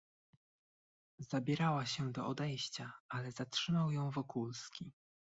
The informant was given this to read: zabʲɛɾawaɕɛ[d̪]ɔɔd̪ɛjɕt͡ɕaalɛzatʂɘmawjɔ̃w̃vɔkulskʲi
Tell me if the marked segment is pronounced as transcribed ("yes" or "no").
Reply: yes